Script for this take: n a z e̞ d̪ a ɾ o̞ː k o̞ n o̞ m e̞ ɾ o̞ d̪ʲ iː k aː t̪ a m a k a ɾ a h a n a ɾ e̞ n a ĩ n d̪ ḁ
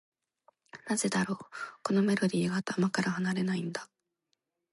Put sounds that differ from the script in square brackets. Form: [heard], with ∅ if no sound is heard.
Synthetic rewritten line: n a z e̞ d̪ a ɾ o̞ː k o̞ n o̞ m e̞ ɾ o̞ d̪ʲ iː [ɡ] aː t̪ a m a k a ɾ a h a n a ɾ e̞ n a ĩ n d̪ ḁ